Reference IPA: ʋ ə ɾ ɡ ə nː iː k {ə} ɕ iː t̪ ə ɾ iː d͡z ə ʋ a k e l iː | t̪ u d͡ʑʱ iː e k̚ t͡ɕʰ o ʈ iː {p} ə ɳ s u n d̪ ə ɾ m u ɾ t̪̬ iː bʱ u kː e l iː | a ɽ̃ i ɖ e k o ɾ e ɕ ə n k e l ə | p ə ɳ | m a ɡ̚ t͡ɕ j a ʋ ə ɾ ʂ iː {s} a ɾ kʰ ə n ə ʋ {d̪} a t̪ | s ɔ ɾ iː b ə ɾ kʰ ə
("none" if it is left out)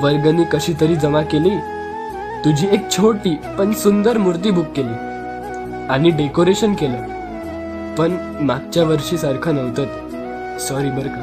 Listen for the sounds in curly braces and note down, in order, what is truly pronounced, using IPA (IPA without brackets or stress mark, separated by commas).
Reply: ə, p, s, t̪